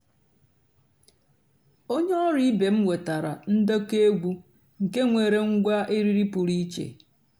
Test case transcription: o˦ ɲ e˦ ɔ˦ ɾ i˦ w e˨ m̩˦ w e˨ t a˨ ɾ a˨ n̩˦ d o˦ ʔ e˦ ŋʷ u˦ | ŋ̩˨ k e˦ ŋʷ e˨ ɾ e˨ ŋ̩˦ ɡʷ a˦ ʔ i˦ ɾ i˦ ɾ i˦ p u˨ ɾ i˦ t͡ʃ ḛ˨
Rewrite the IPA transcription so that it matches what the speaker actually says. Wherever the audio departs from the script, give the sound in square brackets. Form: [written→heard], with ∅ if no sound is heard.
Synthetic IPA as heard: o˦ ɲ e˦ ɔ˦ ɾ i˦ [w→b] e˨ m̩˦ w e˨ t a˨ ɾ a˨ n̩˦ d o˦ [ʔ→k] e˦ [ŋʷ→ɡʷ] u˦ | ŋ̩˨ k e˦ ŋʷ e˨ ɾ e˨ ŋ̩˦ ɡʷ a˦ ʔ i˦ ɾ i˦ ɾ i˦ p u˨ ɾ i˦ t͡ʃ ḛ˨